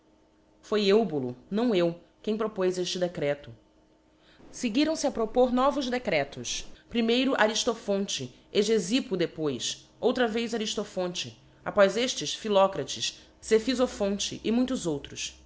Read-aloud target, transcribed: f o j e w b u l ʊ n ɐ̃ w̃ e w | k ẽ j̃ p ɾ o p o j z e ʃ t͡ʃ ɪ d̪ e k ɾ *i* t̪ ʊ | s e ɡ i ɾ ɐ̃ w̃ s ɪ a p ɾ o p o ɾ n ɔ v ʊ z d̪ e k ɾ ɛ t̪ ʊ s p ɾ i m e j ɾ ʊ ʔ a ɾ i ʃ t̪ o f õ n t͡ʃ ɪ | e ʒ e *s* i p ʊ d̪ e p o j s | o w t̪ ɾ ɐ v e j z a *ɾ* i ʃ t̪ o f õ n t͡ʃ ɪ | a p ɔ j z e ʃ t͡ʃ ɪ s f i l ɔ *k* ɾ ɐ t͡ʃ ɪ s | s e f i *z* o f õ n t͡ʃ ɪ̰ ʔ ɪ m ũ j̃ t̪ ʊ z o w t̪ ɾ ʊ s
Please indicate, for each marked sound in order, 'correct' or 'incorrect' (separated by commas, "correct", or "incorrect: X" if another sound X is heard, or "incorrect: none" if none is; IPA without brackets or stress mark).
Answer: incorrect: ɛ, incorrect: z, correct, correct, correct